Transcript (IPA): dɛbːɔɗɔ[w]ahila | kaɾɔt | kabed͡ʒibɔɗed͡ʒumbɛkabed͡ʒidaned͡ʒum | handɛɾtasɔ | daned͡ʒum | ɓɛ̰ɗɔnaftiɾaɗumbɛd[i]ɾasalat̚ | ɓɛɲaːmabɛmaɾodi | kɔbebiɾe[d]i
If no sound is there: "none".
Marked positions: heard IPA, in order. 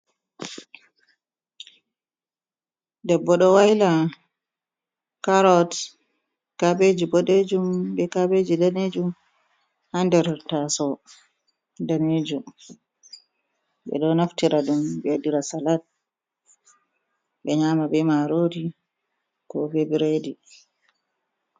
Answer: w, i, d

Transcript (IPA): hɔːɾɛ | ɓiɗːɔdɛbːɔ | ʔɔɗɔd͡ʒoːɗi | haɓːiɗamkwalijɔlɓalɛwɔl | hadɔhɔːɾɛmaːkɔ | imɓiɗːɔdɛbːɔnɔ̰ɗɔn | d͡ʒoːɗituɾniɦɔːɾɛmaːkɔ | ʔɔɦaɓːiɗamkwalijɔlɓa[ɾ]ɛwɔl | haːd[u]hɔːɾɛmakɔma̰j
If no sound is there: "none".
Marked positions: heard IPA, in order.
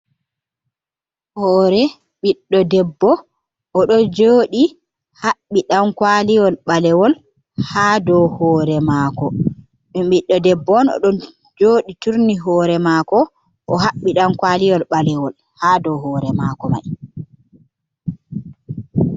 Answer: l, ɔ

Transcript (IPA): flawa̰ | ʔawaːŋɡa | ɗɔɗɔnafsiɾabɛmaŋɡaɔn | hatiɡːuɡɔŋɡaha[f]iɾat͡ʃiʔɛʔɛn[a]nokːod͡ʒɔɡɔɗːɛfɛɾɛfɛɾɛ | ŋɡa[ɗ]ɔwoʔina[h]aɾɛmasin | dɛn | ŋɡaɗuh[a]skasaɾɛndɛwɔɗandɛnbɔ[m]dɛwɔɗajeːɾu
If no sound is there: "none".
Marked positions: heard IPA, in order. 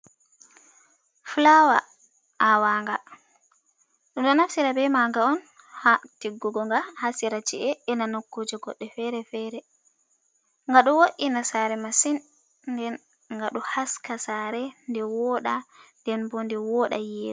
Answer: s, a, ɗ, s, a, n

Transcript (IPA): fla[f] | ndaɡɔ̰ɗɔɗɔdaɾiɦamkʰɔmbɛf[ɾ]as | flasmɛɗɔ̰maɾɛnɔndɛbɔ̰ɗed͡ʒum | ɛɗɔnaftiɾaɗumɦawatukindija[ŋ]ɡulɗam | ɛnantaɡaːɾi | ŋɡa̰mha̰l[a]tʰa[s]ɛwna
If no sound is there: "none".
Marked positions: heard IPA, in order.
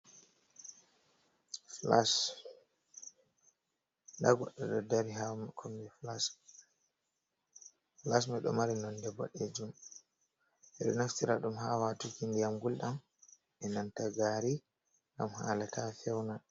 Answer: s, l, m, a, f

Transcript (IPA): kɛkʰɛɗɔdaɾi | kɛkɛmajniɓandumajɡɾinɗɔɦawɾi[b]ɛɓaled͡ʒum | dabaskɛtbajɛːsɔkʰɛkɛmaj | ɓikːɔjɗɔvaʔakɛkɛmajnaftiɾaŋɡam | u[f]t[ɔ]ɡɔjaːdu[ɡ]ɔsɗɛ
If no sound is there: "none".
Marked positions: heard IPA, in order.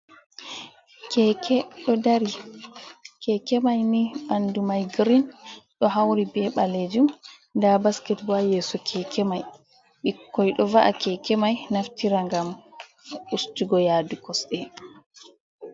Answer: b, s, u, k

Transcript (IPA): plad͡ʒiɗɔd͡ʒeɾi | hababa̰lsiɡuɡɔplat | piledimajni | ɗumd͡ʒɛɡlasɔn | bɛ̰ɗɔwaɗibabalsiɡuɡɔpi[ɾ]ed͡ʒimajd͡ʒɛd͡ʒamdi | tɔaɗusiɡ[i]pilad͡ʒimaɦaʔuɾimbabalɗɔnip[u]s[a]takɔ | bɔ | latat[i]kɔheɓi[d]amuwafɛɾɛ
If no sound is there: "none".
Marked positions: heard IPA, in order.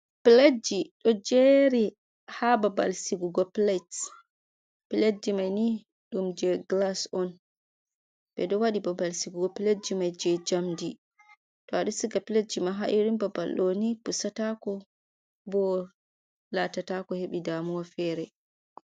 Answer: l, a, u, a, a, d

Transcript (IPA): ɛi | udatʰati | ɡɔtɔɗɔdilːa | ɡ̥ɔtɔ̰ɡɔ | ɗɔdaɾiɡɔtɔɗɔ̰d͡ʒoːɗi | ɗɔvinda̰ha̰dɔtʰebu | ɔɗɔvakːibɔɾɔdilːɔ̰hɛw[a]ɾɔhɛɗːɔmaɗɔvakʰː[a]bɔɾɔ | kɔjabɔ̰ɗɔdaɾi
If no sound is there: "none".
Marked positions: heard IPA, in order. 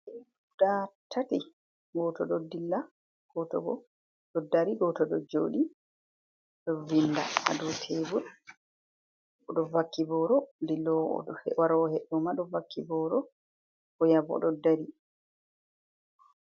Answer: a, i

